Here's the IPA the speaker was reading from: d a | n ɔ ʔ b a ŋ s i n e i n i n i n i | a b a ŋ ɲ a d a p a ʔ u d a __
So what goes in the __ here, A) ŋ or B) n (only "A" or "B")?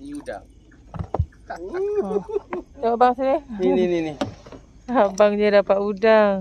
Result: A